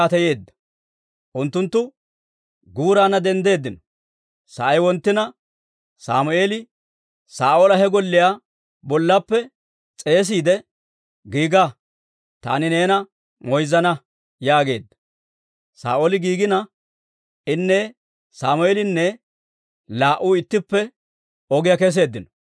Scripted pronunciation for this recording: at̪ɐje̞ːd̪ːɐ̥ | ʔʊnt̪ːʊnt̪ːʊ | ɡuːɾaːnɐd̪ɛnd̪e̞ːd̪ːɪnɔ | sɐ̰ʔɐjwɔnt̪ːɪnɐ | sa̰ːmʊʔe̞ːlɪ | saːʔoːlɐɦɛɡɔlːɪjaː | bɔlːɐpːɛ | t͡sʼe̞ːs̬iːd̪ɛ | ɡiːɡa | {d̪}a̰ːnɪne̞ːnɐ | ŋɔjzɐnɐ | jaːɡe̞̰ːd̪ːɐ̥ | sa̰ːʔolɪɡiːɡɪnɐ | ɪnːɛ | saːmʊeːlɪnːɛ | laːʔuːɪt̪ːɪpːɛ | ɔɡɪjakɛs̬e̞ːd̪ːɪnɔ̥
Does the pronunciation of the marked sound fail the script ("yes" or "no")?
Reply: yes